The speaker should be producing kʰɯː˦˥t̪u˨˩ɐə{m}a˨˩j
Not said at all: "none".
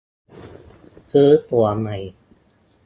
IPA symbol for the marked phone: m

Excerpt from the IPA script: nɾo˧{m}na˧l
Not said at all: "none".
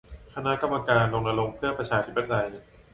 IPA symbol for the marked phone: ŋ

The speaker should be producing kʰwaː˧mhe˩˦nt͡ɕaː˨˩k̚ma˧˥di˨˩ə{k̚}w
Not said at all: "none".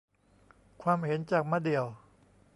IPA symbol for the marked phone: none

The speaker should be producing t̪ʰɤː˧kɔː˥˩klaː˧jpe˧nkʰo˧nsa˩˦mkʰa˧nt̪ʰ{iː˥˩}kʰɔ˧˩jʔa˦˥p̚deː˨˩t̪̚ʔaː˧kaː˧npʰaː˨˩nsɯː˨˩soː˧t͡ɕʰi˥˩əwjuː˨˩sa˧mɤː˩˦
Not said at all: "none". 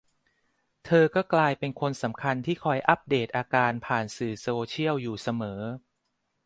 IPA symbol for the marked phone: iː˥˩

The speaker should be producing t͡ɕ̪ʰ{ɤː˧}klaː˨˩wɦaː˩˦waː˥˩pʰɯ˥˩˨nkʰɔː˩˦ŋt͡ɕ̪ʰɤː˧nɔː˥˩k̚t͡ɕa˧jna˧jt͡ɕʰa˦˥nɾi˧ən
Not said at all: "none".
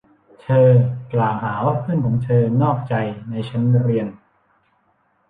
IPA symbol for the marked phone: ɤː˧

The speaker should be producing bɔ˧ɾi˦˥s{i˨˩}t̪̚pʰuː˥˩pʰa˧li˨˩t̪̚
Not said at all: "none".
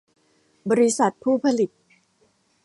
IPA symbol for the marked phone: a˨˩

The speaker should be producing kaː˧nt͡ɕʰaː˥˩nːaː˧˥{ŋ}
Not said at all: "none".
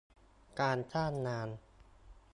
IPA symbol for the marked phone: n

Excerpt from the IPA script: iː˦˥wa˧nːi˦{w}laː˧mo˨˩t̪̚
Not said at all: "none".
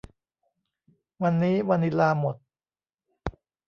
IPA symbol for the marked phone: none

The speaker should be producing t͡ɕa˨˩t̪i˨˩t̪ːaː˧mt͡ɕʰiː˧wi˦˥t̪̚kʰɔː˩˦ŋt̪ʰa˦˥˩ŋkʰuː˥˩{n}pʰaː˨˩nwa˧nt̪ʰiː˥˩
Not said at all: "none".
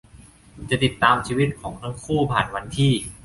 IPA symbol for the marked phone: none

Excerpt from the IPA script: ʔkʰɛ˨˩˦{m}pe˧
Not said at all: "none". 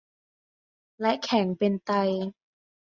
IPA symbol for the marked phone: ŋ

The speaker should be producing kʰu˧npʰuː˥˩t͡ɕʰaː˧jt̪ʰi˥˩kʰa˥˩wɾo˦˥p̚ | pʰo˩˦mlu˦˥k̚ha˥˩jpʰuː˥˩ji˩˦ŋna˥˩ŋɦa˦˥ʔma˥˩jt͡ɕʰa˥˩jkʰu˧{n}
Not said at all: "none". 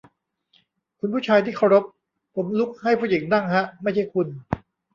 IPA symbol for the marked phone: n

